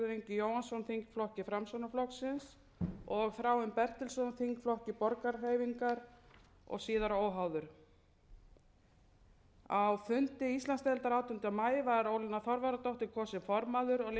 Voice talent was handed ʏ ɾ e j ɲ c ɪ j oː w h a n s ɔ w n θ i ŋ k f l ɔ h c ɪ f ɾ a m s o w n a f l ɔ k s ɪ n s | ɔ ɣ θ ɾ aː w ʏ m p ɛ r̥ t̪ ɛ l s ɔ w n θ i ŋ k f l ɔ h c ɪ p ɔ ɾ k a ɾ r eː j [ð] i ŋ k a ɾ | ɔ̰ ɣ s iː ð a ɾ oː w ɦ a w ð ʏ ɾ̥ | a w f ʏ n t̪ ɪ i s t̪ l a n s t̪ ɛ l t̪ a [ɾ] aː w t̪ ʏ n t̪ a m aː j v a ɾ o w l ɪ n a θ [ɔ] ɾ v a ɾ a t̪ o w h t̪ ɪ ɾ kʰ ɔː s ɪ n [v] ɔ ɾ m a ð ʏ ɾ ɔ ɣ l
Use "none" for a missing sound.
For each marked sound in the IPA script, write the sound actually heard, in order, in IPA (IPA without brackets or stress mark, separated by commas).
v, ɾ, ɔ, f